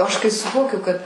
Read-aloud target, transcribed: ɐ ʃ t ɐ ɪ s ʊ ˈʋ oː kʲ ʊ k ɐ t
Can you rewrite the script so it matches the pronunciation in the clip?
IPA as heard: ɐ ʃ k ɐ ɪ s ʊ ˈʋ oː kʲ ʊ k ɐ t